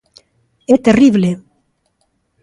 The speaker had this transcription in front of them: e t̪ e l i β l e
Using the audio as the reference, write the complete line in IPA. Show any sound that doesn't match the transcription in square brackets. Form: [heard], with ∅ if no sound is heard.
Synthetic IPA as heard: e t̪ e [r] i β l e